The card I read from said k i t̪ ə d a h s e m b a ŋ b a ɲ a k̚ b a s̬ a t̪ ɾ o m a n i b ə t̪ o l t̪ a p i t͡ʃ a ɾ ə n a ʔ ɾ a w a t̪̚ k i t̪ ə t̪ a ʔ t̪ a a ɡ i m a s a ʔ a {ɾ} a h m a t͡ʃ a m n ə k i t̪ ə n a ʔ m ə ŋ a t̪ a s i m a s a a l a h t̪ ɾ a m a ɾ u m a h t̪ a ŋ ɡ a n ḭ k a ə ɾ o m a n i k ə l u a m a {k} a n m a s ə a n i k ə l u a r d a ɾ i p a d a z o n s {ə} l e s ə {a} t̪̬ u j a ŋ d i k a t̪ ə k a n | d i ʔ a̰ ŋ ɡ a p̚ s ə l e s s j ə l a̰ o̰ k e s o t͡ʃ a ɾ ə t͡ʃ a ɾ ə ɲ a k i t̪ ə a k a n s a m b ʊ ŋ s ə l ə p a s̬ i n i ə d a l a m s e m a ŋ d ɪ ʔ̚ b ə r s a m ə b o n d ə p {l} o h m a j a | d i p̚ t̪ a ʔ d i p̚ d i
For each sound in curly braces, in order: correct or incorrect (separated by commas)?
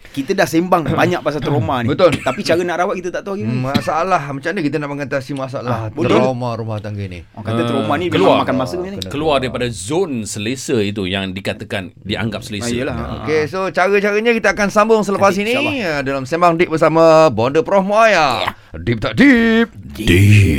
incorrect, correct, correct, incorrect, incorrect